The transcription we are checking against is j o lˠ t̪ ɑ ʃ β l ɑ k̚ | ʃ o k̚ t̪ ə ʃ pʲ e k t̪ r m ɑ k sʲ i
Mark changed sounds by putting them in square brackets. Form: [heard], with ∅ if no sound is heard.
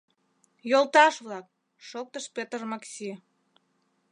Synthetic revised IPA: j o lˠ t̪ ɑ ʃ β l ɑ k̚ | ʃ o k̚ t̪ ə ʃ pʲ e [∅] t̪ r m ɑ k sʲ i